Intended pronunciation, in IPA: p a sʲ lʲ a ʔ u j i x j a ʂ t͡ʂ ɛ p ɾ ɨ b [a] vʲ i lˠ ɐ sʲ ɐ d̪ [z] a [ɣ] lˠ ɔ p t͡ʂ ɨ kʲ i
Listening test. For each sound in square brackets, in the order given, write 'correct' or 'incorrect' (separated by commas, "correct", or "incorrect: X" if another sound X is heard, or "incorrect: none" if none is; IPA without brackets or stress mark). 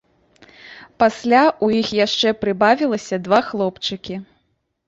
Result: correct, incorrect: v, incorrect: x